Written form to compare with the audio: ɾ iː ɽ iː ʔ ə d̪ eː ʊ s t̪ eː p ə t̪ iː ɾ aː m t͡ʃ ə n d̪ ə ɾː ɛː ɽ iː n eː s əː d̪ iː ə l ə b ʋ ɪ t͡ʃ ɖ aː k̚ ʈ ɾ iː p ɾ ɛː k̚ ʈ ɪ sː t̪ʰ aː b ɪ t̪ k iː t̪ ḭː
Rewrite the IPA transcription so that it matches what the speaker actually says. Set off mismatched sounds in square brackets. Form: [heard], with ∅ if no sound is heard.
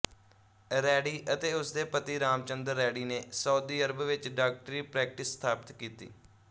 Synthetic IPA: ɾ [ɛː] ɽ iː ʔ ə [t̪] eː ʊ s [d̪] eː p ə t̪ iː ɾ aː m t͡ʃ ə n d̪ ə ɾː ɛː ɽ iː n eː s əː d̪ iː ə [ɾ] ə b ʋ ɪ t͡ʃ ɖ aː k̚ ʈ ɾ iː p ɾ ɛː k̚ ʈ ɪ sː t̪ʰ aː [p] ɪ t̪ k iː t̪ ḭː